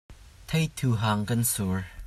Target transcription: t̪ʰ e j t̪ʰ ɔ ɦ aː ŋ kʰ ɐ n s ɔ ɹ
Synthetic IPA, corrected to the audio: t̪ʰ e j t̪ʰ u ɦ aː ŋ k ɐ n s u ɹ